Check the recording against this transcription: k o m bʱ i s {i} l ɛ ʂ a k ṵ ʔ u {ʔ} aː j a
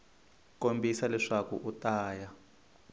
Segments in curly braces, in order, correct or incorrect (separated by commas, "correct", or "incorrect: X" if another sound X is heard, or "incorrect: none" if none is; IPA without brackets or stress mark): incorrect: a, incorrect: t